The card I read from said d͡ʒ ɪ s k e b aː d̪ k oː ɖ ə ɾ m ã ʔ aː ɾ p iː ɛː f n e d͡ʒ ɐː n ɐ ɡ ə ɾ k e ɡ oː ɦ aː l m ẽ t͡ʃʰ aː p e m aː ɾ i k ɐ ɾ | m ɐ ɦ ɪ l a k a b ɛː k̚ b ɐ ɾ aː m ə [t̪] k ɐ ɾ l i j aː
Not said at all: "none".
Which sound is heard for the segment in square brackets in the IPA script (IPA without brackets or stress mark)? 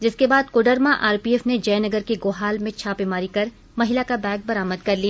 d̪